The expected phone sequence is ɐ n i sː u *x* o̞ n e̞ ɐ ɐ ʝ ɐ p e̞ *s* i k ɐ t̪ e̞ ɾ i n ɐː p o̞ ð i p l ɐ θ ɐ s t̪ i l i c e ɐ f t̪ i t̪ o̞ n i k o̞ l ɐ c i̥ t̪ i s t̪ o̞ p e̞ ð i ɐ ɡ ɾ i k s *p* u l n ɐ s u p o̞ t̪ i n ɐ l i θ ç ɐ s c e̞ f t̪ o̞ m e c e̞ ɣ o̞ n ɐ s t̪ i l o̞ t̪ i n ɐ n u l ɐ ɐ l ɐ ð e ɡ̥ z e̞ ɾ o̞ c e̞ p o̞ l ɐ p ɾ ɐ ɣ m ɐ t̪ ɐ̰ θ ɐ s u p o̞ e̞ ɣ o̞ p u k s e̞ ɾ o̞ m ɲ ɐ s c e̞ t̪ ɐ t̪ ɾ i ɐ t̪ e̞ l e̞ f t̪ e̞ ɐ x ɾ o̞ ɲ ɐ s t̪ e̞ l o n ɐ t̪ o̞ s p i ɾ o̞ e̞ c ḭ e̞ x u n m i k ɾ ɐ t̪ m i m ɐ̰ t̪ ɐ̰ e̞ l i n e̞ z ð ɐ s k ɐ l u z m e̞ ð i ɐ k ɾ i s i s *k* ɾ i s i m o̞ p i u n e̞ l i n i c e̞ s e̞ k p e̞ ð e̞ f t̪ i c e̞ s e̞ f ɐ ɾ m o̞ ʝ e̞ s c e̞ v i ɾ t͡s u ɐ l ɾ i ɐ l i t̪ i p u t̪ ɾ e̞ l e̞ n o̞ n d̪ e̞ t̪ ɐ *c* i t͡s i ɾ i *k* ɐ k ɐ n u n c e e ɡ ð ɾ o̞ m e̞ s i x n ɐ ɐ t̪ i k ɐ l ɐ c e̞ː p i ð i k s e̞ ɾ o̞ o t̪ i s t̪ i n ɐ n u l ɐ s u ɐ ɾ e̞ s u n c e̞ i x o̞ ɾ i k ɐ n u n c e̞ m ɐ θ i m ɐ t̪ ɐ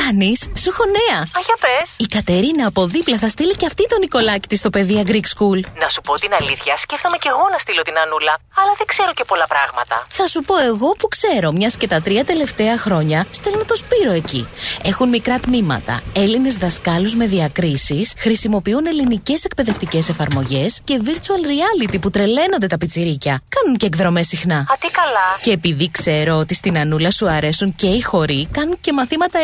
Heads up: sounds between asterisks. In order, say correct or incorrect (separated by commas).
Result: correct, correct, incorrect, incorrect, incorrect, incorrect